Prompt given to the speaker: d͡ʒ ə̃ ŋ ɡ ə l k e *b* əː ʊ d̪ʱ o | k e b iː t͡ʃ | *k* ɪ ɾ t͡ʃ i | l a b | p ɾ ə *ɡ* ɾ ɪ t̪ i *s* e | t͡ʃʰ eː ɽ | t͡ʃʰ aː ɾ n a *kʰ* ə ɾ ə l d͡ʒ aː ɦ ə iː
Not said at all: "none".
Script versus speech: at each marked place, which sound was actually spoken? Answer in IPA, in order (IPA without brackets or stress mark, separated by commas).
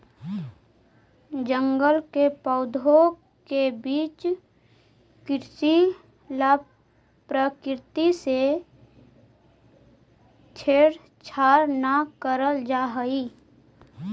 p, k, k, s, k